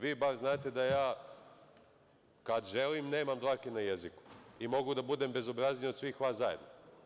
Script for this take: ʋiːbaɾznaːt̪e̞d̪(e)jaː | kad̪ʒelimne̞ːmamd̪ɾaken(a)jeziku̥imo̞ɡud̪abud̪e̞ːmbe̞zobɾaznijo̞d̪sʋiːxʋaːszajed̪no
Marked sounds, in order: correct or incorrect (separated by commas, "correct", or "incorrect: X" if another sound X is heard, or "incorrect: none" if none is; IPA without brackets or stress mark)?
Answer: incorrect: a, correct